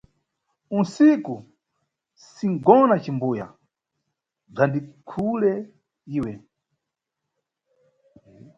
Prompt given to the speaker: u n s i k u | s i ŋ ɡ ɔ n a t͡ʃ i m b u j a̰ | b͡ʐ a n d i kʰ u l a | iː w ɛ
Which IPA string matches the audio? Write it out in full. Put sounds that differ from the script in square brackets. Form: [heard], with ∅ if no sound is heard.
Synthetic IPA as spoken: u n s i k u | s i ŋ ɡ ɔ n a t͡ʃ i m b u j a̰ | b͡ʐ a n d i kʰ u l [ɛ] | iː w ɛ